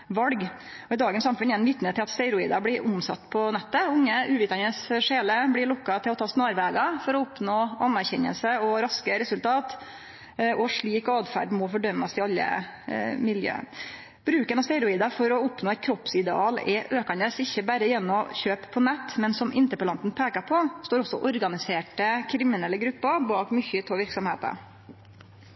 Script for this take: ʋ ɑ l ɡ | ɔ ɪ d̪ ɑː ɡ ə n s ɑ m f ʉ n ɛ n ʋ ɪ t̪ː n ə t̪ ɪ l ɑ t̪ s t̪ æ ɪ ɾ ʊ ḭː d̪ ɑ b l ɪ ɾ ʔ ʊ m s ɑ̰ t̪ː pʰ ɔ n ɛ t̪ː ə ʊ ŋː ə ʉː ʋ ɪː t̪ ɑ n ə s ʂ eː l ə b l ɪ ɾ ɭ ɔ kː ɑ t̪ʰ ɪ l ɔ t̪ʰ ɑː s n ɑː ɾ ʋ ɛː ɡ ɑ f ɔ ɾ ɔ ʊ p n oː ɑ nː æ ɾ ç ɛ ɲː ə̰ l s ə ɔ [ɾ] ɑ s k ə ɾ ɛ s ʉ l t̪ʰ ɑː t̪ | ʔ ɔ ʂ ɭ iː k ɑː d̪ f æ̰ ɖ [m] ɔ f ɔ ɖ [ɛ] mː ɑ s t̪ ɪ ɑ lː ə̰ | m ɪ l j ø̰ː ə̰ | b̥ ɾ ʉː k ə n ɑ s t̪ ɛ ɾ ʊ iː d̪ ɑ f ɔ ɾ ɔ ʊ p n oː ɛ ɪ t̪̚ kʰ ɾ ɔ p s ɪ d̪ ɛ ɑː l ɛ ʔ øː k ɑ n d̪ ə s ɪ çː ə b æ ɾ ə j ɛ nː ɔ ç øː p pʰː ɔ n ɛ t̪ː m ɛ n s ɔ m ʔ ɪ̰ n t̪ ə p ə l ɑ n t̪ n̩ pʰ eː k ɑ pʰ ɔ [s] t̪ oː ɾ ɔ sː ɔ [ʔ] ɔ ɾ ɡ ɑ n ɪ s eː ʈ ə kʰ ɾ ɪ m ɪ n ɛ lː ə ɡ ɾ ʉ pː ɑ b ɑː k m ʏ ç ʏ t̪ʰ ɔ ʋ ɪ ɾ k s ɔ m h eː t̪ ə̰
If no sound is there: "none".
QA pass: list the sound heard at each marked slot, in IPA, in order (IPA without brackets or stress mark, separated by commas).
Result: ɾ, m, œ, s, ʔ